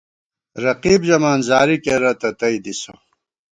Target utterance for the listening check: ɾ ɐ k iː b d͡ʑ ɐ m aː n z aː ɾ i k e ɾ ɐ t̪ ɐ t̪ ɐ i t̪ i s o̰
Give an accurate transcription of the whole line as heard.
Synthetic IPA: ɾ ɐ q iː b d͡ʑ ɐ m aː n z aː ɾ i k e ɾ ɐ t̪ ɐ t̪ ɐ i d̪ i s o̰